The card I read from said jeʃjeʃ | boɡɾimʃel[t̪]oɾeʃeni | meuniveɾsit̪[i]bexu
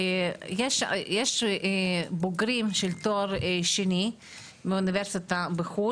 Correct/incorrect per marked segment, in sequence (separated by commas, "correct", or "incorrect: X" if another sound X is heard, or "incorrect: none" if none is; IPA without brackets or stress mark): correct, incorrect: a